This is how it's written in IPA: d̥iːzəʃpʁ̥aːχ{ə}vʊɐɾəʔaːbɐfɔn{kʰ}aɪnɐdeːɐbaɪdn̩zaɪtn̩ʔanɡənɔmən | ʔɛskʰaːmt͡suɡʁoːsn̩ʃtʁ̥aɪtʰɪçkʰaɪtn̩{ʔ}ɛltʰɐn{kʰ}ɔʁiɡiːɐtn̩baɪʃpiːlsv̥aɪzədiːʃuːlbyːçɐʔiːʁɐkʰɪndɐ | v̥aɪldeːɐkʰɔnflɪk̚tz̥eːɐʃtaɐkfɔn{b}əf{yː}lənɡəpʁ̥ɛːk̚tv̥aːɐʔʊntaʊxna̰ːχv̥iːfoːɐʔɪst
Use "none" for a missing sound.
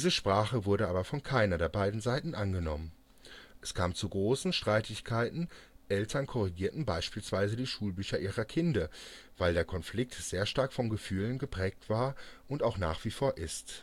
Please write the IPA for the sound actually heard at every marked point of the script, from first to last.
ə, kʰ, ʔ, kʰ, ɡ, yː

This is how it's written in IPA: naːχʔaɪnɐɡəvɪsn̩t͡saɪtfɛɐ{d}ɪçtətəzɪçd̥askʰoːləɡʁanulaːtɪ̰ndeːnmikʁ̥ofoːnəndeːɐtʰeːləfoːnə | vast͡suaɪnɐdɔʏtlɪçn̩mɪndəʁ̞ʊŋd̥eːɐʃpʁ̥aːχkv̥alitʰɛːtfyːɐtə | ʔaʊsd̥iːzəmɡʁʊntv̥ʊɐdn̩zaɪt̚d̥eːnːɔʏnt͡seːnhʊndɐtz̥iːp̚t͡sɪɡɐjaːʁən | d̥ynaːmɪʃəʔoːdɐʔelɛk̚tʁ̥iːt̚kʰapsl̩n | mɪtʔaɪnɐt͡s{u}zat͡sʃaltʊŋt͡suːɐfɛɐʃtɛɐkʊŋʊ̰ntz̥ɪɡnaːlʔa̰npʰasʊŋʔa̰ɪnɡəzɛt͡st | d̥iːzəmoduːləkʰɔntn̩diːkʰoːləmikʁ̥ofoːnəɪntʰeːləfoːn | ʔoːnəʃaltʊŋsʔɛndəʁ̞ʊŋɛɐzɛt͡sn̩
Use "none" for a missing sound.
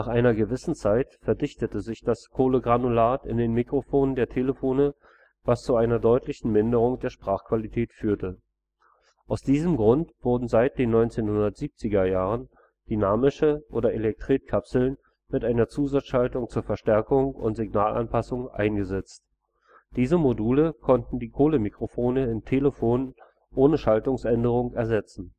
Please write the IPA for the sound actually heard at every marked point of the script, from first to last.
d, uː

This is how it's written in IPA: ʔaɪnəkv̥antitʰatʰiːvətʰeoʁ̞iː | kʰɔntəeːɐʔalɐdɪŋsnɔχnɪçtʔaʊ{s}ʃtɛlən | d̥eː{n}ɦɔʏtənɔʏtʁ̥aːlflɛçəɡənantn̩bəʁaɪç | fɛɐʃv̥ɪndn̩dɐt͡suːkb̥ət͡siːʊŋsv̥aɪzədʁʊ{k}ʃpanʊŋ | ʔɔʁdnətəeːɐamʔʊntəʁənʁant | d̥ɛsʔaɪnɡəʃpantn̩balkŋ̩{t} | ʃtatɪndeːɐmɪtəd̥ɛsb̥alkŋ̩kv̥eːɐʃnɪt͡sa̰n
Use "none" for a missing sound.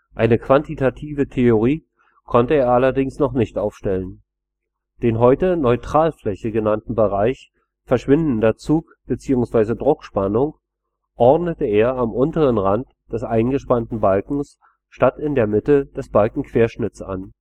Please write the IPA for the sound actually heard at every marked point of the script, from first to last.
f, n, k, s

